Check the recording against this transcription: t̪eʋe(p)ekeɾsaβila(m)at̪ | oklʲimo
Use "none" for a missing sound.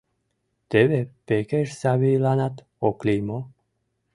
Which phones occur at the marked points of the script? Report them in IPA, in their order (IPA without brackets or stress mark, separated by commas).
p, n